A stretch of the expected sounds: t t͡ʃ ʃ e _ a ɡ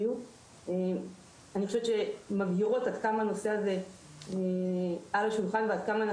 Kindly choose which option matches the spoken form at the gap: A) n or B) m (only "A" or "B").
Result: B